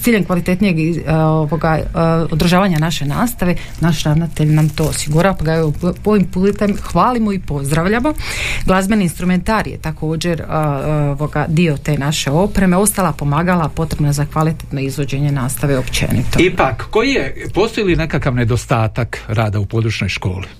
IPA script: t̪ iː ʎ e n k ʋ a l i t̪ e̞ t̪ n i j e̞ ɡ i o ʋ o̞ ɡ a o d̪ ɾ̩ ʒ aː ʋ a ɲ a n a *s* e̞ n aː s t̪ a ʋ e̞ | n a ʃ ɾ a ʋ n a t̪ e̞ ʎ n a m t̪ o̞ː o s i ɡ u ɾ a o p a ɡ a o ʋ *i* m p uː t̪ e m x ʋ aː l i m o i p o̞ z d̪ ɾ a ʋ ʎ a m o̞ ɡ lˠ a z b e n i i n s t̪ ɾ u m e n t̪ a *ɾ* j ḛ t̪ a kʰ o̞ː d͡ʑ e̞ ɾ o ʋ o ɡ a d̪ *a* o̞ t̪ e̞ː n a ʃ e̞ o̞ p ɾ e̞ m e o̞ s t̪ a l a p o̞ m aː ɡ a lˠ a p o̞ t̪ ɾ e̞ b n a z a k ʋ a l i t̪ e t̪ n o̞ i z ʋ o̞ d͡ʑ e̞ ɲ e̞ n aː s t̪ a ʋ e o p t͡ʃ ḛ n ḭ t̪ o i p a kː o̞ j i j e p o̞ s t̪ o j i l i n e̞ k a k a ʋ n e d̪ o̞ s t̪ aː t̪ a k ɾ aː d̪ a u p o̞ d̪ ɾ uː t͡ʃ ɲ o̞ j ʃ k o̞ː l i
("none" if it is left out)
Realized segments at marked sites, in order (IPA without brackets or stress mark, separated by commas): ʃ, i, ɾ, i